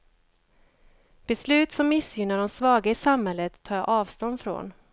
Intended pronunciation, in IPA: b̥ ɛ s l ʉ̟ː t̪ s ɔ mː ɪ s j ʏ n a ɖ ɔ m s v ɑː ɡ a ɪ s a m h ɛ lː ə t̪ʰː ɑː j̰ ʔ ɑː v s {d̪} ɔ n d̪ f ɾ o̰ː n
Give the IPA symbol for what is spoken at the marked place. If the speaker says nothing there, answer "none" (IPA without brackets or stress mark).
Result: t̪